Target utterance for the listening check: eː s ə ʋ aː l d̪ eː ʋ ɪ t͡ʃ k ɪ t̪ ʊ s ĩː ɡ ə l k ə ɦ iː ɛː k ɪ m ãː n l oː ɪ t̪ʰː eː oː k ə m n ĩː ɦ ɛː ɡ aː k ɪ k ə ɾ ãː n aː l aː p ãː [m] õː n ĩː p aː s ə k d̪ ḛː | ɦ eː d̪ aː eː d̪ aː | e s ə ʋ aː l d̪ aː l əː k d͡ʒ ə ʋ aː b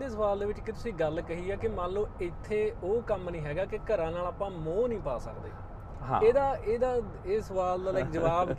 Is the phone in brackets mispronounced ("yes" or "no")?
no